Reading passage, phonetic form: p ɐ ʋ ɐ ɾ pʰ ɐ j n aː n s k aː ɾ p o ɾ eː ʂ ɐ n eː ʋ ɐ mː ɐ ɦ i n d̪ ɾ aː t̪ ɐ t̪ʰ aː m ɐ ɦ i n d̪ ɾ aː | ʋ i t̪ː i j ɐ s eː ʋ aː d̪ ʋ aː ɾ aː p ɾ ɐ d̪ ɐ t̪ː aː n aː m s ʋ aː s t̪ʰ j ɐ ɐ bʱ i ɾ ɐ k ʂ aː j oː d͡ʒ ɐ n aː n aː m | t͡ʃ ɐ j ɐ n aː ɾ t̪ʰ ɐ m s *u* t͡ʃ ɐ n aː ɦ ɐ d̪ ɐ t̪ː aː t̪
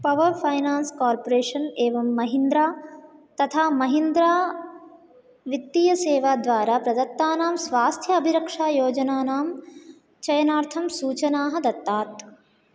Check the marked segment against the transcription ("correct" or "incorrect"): incorrect